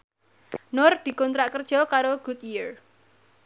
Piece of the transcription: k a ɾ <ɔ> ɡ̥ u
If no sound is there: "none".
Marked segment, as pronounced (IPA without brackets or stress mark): o